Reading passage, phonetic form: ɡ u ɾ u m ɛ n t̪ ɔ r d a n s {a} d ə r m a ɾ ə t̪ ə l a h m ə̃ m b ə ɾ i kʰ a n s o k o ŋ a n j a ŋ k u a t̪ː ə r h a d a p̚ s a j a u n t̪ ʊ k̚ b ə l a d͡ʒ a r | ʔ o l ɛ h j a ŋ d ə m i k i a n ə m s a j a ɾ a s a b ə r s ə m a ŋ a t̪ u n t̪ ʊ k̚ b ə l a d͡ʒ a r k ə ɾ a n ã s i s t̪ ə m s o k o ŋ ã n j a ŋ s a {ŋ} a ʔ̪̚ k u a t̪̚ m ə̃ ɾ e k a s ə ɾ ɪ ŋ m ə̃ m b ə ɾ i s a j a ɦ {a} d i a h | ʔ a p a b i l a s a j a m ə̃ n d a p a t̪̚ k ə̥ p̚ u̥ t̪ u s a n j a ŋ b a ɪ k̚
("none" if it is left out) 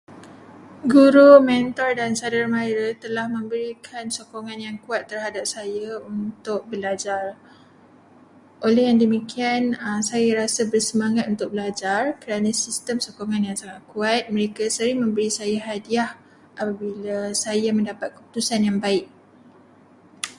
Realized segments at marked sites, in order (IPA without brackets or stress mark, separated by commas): a, ŋ, a